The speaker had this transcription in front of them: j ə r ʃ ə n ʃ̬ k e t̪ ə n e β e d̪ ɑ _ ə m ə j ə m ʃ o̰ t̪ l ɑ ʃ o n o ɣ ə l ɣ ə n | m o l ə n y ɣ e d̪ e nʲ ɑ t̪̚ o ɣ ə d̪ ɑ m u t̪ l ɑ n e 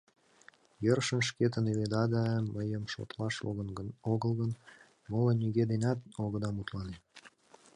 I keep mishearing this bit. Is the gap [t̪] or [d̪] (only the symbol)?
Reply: d̪